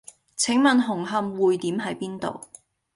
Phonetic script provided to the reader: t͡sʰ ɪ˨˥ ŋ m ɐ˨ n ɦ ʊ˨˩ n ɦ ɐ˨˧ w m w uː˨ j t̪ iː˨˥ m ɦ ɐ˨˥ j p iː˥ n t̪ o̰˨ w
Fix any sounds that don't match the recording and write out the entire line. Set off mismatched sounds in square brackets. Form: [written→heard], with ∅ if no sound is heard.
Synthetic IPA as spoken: t͡sʰ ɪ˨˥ ŋ m ɐ˨ n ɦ ʊ˨˩ [n→ŋ] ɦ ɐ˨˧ [w→∅] m w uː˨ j t̪ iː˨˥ m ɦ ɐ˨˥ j p iː˥ n t̪ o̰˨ w